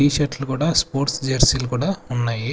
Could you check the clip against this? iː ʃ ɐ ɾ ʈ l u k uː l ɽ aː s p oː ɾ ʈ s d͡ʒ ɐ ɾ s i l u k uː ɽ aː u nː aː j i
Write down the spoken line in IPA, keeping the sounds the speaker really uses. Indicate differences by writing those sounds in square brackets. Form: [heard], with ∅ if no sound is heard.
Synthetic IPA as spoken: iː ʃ ɐ ɾ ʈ l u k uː [∅] ɽ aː s p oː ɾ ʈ s d͡ʒ ɐ ɾ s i l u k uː ɽ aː u nː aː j i